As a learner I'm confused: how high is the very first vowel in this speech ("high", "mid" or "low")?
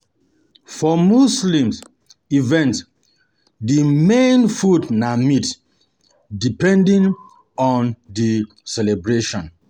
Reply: mid